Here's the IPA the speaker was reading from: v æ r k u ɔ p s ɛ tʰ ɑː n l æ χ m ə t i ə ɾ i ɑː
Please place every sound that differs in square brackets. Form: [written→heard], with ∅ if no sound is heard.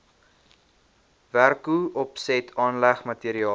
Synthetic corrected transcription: v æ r k u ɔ p s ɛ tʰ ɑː n l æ χ m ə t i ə ɾ i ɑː